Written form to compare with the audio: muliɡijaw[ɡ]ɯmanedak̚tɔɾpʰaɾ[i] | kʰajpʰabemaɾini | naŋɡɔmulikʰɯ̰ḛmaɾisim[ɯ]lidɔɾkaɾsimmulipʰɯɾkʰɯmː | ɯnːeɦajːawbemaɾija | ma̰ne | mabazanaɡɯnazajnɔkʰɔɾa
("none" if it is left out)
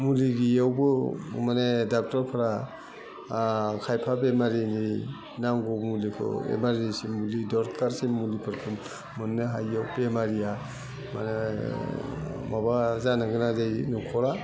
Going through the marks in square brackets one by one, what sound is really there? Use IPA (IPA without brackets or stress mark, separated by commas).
b, a, u